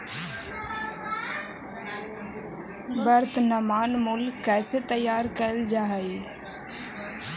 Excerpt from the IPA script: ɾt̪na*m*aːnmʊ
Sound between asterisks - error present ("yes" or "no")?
no